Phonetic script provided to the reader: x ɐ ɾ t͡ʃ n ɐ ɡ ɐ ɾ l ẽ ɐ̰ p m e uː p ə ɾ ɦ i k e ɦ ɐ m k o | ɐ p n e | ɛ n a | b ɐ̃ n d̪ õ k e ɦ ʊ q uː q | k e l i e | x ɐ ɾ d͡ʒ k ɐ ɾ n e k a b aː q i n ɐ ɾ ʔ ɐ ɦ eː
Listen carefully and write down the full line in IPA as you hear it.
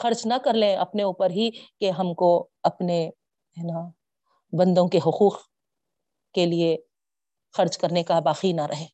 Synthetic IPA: x ɐ ɾ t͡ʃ n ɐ k ɐ ɾ l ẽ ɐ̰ p n e uː p ə ɾ ɦ i k e ɦ ɐ m k o | ɐ p n e | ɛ n a | b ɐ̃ n d̪ õ k e ɦ ʊ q uː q | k e l i e | x ɐ ɾ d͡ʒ k ɐ ɾ n e k a b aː q i n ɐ ɾ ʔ ɐ ɦ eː